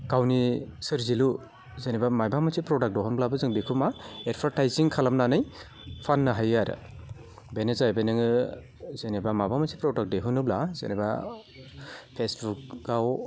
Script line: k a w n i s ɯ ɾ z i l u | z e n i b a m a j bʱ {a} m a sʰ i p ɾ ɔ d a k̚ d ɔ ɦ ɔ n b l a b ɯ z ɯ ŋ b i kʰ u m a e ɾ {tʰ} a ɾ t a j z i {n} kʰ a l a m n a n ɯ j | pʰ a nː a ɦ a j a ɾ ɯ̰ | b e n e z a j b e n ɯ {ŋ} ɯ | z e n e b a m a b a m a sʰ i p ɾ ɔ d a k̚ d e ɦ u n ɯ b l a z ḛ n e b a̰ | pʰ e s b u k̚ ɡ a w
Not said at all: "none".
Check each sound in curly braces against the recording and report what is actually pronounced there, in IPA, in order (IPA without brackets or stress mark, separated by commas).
a, pʰ, ŋ, ŋ